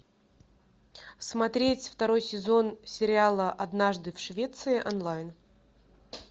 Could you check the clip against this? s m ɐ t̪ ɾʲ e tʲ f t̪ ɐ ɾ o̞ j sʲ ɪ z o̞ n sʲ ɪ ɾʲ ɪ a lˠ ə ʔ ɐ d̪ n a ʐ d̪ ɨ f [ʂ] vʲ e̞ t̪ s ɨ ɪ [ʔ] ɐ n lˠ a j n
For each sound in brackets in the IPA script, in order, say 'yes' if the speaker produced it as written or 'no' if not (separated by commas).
yes, yes